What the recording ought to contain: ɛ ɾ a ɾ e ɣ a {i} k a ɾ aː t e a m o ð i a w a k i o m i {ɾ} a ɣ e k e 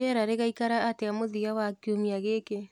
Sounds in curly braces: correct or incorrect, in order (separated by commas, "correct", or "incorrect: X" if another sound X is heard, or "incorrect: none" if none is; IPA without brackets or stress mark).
correct, incorrect: none